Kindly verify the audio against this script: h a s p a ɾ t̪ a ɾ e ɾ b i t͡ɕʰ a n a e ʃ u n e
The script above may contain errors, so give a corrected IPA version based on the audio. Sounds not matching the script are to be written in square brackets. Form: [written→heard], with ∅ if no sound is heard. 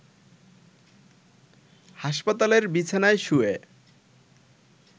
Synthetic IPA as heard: h a [s→ʃ] p a [ɾ→∅] t̪ a [ɾ→l] e ɾ b i t͡ɕʰ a n a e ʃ u [n→∅] e